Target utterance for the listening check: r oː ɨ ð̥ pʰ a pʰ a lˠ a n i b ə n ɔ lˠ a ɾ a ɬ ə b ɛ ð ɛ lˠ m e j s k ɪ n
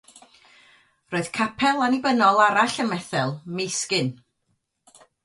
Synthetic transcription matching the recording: r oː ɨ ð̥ kʰ a pʰ ɛ lˠ a n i b ə n ɔ lˠ a ɾ a ɬ ə m ɛ θ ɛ lˠ m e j s k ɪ n